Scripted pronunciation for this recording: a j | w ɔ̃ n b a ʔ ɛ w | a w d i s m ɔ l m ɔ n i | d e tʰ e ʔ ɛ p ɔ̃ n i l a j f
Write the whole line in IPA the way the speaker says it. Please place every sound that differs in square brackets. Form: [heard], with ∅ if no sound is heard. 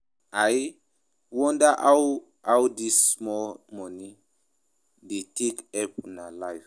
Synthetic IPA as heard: a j | w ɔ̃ n [d] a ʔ [a] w | a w d i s m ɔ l m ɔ n i | d e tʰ e [k] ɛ p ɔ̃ n [a] l a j f